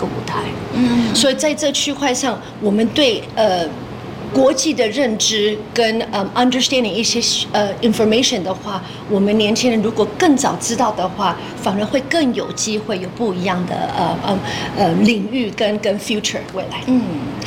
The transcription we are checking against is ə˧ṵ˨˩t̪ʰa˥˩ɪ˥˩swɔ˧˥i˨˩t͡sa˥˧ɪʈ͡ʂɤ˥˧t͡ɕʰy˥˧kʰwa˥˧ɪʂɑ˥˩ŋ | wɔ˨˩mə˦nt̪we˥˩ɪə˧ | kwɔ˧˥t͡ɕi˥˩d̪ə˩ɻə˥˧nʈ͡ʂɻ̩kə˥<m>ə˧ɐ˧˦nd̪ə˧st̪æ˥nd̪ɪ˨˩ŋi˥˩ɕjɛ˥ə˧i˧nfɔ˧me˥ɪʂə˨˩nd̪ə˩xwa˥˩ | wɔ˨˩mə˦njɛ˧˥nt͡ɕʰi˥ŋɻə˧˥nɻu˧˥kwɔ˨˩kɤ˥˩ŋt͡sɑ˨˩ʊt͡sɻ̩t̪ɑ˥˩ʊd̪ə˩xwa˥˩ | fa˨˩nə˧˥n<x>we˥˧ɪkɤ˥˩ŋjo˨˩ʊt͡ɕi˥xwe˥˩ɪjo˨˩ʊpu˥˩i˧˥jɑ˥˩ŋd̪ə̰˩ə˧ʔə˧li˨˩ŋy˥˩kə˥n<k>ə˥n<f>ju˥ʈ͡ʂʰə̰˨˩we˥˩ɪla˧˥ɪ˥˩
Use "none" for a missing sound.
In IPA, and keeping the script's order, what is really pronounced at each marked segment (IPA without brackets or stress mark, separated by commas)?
n, x, k, f